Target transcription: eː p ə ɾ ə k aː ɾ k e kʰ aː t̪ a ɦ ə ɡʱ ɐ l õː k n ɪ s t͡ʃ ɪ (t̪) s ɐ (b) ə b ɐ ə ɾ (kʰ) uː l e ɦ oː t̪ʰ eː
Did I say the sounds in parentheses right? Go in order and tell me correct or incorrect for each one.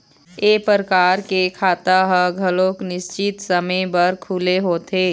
correct, incorrect: m, correct

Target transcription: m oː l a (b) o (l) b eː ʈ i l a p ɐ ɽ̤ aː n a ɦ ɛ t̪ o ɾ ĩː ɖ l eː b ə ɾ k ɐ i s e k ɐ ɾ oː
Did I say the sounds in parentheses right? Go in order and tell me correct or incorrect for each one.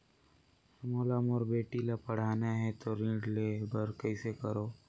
incorrect: m, incorrect: ɾ

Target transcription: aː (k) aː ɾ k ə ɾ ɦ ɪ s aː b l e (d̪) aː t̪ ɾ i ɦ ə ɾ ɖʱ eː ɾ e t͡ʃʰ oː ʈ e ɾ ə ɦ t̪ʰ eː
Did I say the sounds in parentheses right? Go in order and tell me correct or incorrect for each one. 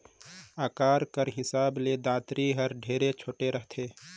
correct, correct

